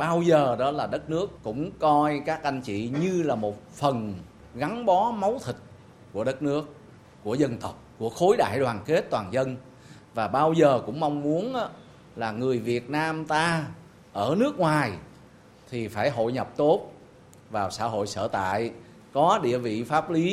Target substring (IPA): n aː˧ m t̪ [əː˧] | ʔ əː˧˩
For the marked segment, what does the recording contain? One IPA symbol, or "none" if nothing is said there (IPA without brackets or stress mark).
aː˧